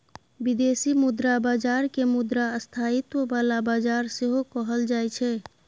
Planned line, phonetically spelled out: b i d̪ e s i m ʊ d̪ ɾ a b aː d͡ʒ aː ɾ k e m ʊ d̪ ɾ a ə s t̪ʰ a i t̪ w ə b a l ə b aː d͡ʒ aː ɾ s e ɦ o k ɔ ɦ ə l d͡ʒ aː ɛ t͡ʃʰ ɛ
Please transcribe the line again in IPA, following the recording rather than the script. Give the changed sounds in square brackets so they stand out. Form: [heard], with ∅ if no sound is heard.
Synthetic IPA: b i d̪ e s i m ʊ d̪ ɾ a b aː d͡ʒ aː ɾ k e m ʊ d̪ ɾ a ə s t̪ʰ a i t̪ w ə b a l [a] b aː d͡ʒ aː ɾ s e ɦ o k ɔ ɦ ə l d͡ʒ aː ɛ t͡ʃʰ ɛ